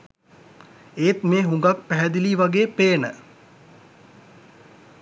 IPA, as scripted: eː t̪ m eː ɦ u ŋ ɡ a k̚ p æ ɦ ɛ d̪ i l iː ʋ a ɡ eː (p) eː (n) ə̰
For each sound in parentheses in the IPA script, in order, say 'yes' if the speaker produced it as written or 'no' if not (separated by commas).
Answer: yes, yes